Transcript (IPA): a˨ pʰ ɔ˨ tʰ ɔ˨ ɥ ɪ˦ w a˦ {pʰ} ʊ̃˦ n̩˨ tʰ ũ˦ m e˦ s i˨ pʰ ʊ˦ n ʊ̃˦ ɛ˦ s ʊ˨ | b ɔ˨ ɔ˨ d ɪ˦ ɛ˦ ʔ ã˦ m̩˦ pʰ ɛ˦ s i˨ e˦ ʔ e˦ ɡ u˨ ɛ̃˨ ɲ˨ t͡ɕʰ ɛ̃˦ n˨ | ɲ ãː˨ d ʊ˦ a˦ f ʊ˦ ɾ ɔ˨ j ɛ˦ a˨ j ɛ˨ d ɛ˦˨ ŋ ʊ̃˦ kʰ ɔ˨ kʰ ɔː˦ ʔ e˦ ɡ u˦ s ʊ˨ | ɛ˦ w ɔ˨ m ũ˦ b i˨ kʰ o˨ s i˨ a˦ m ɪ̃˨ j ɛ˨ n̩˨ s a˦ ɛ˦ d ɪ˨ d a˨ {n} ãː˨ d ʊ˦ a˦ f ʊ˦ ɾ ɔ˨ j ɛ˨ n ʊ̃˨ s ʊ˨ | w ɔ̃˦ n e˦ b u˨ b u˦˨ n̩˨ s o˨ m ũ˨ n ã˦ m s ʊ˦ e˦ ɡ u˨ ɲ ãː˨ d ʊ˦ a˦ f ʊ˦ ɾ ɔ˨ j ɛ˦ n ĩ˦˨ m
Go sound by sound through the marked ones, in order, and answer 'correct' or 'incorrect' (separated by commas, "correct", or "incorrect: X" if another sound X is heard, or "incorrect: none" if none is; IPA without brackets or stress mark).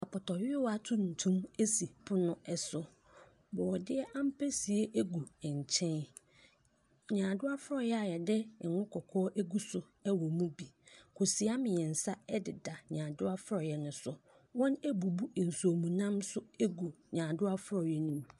incorrect: tʰ, incorrect: ɲ